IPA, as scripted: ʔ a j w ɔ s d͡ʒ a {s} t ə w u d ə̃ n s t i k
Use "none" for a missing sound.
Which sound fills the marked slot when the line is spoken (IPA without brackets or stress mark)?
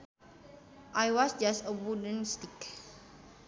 s